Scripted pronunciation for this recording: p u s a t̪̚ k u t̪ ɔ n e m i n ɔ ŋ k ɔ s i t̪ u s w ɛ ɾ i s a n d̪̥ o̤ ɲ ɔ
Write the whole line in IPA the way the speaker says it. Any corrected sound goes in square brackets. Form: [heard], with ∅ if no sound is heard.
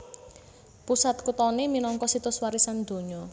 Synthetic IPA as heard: p u s a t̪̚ k u t̪ ɔ n e m i n ɔ ŋ k ɔ s i t̪ [ʊ] s w [a] ɾ i s a n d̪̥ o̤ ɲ ɔ